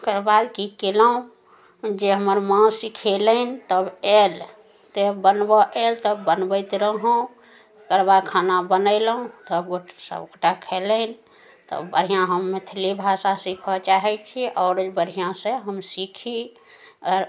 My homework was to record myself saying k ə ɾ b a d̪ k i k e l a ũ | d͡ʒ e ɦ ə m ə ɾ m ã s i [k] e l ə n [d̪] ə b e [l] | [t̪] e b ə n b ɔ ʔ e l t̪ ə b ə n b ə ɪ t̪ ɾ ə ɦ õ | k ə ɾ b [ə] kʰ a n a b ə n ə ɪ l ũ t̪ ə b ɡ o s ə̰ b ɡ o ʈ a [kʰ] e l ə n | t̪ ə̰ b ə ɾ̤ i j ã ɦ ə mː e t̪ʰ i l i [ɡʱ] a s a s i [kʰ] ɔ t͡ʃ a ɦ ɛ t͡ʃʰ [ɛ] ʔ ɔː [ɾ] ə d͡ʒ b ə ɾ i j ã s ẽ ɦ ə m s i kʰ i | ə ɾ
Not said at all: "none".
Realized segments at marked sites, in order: kʰ, t̪, l, t̪, a, kʰ, bʱ, kʰ, i, ɾ

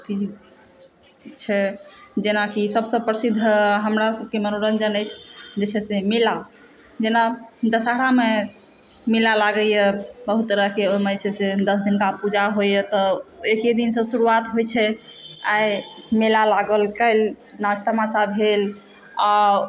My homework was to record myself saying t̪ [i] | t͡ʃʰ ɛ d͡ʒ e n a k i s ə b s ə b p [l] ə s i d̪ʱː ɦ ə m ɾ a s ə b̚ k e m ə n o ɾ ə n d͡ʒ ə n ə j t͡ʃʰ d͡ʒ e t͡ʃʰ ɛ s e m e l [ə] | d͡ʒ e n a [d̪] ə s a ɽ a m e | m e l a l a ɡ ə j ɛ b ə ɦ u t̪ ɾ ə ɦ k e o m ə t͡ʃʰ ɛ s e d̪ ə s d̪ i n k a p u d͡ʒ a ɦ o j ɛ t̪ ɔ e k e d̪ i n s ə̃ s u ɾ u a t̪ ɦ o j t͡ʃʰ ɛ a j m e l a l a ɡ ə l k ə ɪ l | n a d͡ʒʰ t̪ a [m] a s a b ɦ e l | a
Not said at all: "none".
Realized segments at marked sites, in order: i, ɾ, a, d̪, m

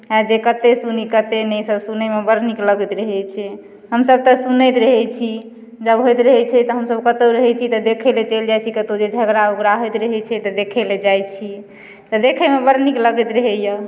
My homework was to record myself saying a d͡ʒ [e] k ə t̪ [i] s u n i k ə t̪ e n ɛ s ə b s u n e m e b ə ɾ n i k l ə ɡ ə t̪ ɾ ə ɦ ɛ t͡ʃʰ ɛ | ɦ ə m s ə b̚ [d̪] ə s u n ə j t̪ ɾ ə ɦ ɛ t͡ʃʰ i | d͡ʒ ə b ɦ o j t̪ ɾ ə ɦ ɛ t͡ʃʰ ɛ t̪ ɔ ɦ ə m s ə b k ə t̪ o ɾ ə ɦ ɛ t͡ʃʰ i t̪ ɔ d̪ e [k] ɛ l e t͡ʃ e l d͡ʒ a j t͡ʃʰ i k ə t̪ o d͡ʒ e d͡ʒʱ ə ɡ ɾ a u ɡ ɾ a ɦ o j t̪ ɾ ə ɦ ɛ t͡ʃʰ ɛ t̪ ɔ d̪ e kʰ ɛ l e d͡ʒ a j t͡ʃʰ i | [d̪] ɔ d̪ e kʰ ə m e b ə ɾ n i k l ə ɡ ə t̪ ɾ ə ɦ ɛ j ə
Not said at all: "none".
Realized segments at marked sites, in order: e, e, t̪, kʰ, t̪

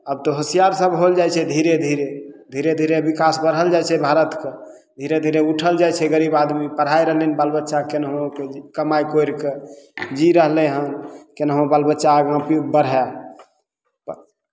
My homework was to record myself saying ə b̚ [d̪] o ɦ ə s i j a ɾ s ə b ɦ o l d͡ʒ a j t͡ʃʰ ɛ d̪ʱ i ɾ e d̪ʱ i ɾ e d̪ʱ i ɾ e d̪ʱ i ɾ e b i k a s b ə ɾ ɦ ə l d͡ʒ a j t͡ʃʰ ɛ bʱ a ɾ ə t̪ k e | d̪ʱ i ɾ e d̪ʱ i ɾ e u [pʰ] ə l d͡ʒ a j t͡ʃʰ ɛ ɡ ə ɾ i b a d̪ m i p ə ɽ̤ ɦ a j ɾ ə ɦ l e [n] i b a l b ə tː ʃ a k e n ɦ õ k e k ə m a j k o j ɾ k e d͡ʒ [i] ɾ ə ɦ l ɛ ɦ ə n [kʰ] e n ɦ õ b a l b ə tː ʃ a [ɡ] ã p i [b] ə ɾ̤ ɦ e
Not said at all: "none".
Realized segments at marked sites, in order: t̪, ʈʰ, n, i, k, ɡ, b

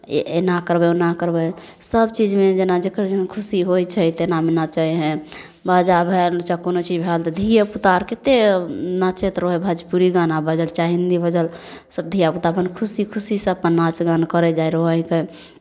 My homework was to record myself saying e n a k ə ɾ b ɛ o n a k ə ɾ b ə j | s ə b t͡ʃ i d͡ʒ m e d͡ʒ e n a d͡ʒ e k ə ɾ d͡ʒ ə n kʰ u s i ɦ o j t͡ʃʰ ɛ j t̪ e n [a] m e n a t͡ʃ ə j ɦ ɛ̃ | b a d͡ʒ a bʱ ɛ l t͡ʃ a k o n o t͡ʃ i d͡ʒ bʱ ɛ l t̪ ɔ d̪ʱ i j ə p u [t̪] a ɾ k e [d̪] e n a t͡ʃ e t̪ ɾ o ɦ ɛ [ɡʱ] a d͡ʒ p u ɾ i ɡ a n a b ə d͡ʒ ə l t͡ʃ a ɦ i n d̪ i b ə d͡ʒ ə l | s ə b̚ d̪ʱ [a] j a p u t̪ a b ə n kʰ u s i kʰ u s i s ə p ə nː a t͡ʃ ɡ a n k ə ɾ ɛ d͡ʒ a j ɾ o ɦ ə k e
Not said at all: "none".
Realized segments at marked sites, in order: a, t̪, t̪, bʱ, i

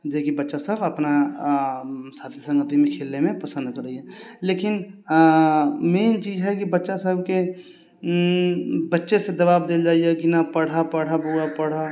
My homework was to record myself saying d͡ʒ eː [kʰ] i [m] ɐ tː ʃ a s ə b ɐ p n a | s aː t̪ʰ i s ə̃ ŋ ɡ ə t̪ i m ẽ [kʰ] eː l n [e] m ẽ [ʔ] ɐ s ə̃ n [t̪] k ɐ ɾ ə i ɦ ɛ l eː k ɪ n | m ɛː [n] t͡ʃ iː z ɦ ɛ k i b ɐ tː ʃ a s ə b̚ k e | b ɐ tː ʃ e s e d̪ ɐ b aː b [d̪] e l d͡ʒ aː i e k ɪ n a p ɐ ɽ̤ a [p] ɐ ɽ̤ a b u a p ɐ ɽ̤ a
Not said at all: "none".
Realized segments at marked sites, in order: k, b, kʰ, e, p, d̪, n, d̪, p

